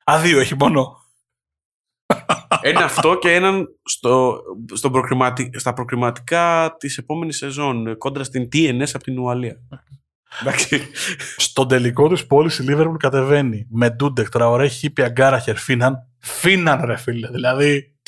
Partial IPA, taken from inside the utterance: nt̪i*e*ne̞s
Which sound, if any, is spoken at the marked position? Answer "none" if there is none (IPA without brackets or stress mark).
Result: e